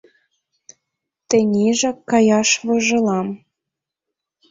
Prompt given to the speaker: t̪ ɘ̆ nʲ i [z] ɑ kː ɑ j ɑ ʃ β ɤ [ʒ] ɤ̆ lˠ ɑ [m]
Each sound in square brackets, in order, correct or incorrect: incorrect: ʒ, correct, correct

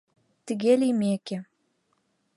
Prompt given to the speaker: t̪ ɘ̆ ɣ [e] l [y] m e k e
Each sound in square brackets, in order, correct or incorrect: correct, incorrect: i

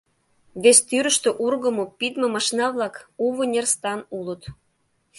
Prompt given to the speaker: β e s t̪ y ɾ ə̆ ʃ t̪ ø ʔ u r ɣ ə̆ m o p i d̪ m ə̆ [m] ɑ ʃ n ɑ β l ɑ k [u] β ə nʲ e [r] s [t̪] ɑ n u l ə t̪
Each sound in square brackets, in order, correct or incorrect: correct, correct, correct, correct

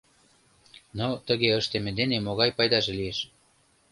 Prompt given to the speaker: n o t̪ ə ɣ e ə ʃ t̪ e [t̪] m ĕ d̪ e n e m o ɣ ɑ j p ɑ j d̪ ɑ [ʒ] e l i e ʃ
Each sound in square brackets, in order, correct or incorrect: incorrect: none, correct

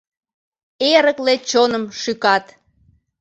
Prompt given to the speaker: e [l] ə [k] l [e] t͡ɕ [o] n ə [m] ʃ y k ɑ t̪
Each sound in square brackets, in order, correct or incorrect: incorrect: ɾ, correct, correct, correct, correct

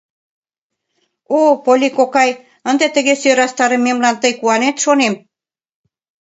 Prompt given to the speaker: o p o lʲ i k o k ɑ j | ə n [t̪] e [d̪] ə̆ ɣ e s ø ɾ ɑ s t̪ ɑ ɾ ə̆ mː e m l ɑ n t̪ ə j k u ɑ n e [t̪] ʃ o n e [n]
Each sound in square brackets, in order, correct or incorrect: incorrect: d̪, incorrect: t̪, correct, incorrect: m

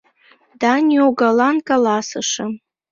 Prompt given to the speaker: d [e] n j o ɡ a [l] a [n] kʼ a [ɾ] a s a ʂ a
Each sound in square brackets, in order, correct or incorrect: incorrect: a, correct, correct, incorrect: l

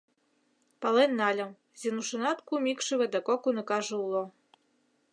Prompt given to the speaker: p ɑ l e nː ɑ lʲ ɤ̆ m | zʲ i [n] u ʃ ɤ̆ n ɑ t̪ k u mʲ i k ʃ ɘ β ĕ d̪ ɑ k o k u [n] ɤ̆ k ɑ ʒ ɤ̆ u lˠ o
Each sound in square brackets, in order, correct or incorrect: correct, correct

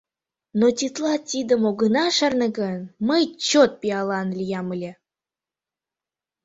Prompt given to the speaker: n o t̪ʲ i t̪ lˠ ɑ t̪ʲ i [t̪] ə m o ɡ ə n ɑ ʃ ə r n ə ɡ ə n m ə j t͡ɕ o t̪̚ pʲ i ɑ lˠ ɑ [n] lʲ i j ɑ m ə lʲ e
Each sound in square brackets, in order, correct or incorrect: incorrect: d̪, correct

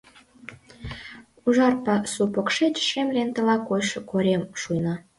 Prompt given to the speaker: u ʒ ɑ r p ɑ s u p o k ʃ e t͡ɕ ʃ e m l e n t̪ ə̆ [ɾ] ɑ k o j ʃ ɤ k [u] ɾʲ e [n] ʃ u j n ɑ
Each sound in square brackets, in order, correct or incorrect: incorrect: l, incorrect: o, incorrect: m

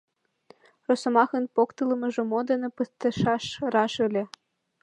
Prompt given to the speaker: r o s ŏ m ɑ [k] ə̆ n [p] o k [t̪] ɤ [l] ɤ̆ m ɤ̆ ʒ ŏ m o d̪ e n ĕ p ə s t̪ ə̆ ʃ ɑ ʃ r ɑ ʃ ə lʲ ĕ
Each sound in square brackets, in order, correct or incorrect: incorrect: x, correct, correct, correct

